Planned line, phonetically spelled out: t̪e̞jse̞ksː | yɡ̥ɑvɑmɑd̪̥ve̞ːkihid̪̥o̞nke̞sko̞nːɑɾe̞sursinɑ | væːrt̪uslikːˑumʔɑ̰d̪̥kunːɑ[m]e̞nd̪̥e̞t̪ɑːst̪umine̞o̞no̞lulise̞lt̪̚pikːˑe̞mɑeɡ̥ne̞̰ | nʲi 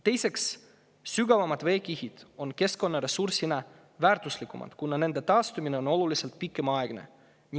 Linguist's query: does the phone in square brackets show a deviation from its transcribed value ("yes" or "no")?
yes